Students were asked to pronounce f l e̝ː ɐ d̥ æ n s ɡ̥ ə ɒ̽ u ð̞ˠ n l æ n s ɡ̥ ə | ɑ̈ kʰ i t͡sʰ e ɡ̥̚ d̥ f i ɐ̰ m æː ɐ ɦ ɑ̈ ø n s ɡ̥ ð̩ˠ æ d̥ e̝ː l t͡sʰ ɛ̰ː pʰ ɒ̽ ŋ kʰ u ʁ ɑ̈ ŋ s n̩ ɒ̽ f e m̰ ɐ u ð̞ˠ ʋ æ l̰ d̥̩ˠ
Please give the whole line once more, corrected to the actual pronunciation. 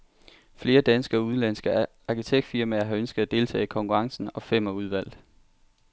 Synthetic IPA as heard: f l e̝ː ɐ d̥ æ n s ɡ̥ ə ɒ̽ u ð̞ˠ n l æ n s ɡ̥ ə | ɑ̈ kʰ i t͡sʰ e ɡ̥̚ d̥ f i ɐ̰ m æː ɐ ɦ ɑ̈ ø n s ɡ̥ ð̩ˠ æ d̥ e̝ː l t͡sʰ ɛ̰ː kʰ ɒ̽ ŋ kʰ u ʁ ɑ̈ ŋ s n̩ ɒ̽ f e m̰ ɐ u ð̞ˠ ʋ æ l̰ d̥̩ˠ